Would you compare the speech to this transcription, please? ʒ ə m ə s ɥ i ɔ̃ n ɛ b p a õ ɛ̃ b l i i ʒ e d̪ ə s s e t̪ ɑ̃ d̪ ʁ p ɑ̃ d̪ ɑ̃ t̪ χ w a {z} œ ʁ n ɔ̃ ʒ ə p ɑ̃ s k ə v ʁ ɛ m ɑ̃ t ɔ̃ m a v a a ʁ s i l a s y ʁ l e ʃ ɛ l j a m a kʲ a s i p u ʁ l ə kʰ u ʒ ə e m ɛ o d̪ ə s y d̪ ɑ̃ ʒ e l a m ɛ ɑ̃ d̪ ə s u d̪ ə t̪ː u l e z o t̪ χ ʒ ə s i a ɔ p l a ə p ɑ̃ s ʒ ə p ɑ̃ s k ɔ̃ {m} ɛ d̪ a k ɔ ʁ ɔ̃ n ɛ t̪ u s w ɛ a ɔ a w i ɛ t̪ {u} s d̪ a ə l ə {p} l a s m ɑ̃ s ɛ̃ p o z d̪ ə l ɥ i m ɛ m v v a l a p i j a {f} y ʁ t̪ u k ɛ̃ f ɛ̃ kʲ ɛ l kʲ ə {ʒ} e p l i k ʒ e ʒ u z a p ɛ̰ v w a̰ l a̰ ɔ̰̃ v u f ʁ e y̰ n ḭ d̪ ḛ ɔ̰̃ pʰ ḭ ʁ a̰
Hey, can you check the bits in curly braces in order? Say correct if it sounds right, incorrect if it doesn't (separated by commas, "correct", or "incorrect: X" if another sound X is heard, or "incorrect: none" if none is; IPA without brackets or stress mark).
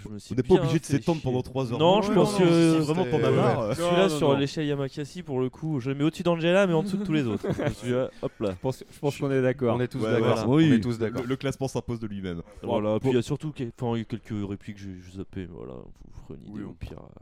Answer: correct, incorrect: n, correct, incorrect: k, incorrect: s, incorrect: ʁ